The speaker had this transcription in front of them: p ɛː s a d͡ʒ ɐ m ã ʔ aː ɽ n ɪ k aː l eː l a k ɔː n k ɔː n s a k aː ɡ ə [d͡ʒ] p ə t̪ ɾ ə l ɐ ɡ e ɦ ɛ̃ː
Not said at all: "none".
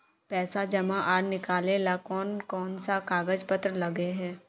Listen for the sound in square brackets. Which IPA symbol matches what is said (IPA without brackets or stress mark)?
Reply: d͡ʒ